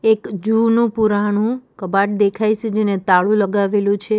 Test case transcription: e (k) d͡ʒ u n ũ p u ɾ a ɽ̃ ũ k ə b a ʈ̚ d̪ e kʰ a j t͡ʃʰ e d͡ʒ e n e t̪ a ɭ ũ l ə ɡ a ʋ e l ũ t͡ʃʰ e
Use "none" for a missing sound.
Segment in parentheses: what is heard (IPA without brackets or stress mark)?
k